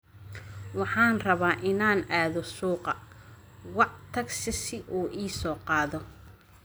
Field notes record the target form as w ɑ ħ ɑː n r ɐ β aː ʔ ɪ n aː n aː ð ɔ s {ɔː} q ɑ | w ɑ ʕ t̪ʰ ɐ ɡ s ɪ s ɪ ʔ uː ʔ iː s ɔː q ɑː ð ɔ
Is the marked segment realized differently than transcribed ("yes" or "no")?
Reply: yes